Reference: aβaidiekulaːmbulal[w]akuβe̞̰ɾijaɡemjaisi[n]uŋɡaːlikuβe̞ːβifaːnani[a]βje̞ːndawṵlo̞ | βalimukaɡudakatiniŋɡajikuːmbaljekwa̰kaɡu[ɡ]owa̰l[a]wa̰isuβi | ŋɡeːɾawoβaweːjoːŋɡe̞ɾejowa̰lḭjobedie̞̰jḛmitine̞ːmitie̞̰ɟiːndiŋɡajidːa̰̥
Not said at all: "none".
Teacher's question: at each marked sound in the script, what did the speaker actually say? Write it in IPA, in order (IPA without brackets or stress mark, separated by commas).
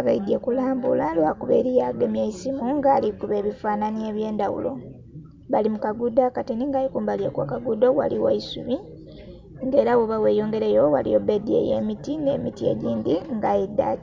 w, m, e, d, i